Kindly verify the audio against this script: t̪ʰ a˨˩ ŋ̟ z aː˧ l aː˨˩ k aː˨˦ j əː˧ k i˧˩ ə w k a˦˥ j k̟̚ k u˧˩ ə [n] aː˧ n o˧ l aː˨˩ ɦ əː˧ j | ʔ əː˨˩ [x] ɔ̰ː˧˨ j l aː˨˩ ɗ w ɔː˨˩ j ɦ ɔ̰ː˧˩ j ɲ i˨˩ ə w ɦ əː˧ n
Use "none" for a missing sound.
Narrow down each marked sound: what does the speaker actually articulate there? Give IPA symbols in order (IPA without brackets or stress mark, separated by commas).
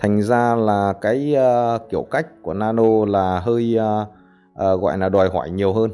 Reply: n, ɣ